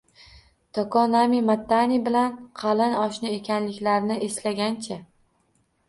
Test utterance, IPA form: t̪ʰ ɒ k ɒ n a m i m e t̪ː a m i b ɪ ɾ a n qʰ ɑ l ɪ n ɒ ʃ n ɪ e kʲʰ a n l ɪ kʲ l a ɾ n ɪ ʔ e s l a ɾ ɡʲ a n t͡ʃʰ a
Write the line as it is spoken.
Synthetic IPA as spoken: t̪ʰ ɒ k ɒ n a m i m a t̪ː a n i b ɪ l a n qʰ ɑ l ɪ n ɒ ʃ n ɪ e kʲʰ a n l ɪ kʲ l a ɾ n ɪ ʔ e s l a ɡʲ a n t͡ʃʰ a